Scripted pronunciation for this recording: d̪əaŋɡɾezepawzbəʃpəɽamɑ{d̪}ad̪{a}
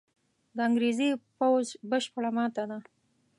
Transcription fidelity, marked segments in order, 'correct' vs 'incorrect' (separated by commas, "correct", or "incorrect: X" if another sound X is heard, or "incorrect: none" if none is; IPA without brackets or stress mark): incorrect: t̪, correct